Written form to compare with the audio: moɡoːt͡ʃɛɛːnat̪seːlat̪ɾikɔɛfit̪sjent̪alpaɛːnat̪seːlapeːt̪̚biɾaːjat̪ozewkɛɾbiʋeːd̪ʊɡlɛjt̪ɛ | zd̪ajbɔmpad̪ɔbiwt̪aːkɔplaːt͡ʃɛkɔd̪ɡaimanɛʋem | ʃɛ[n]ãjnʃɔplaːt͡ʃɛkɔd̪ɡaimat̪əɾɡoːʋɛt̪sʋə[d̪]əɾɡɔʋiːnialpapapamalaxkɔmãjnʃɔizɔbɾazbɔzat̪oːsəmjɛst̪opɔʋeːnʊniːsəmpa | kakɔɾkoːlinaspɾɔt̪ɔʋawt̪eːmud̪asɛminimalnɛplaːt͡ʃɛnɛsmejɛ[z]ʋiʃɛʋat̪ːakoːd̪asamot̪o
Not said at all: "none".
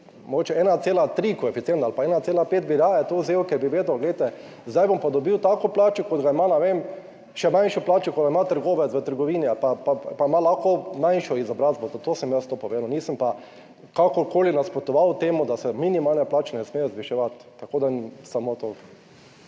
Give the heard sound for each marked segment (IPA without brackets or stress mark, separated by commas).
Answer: m, t̪, z